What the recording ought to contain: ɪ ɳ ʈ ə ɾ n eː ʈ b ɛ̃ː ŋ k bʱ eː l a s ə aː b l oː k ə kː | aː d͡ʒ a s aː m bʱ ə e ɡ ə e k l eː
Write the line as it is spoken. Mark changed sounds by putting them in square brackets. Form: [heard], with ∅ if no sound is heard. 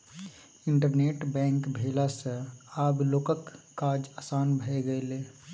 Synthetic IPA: ɪ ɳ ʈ ə ɾ n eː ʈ b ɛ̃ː ŋ k bʱ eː l a s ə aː b l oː k ə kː | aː d͡ʒ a s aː [n] bʱ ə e ɡ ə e [∅] l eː